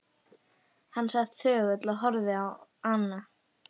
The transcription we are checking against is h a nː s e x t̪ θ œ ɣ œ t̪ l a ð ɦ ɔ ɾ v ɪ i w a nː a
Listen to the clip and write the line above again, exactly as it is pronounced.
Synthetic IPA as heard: h a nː s a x t̪ θ œː ɣ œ t̪ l a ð ɦ ɔ ɾ ð ɪ a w a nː a